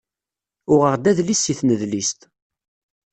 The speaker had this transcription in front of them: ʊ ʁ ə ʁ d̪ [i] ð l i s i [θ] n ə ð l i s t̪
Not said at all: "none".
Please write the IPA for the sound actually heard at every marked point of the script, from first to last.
æ, θ

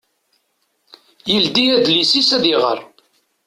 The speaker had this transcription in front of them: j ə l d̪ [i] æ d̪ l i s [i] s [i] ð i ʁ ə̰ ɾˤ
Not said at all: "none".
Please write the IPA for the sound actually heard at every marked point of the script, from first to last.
i, i, æ

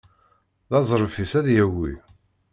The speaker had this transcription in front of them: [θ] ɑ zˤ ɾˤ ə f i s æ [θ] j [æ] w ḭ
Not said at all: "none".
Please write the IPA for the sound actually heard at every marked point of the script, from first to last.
ð, ð, æ

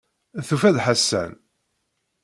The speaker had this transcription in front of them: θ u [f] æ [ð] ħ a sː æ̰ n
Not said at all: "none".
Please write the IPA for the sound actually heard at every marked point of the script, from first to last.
f, ð

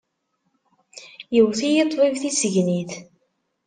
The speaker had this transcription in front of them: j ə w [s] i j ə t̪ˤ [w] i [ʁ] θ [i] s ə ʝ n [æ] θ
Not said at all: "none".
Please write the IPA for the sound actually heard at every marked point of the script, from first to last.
θ, v, v, i, i

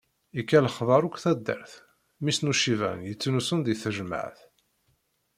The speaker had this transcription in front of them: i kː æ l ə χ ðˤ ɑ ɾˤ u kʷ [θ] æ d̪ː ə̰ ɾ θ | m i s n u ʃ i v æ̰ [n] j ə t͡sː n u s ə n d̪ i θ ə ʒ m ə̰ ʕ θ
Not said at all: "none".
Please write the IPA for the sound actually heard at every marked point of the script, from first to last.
θ, n

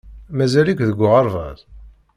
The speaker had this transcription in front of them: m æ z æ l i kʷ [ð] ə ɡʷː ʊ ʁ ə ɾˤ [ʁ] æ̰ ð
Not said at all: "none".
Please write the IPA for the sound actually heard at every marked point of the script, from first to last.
ð, v

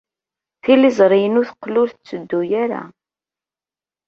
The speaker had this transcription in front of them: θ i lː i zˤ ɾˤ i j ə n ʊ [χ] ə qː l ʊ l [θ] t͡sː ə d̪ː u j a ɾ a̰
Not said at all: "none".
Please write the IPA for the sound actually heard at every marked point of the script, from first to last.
θ, θ

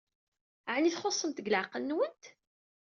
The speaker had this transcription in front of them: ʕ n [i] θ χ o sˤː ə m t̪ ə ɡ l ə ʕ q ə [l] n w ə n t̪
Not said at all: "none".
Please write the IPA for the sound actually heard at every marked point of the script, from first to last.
i, l

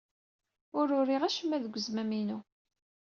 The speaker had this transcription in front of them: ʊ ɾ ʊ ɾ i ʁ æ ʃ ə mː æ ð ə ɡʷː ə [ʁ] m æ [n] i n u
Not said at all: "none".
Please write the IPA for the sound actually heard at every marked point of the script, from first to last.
z, m

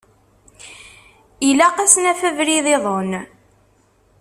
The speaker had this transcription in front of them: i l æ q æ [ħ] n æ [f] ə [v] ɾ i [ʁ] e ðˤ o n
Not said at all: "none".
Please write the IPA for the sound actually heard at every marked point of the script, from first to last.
s, f, v, ð

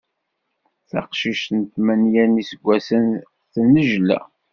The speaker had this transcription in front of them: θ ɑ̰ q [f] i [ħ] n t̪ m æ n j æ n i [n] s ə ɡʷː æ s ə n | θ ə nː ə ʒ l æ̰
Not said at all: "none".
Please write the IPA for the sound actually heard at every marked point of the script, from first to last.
ʃ, ʃ, none

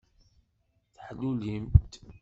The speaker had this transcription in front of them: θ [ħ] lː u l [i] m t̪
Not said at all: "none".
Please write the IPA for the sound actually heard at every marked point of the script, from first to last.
ħ, i

